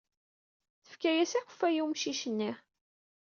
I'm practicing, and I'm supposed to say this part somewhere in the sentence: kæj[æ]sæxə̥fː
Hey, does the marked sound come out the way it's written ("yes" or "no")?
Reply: yes